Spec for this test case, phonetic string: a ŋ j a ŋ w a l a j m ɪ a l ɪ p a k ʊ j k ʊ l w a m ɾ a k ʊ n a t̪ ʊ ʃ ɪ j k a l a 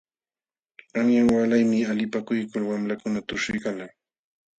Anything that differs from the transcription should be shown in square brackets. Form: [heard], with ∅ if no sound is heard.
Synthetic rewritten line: a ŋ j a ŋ w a l a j m ɪ a l ɪ p a k ʊ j k ʊ l w a m [l] a k ʊ n a t̪ ʊ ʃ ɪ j k a l a